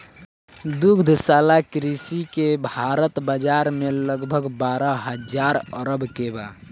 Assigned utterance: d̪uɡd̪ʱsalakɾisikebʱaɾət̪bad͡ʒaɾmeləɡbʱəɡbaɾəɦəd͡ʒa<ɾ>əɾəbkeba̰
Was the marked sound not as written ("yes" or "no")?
no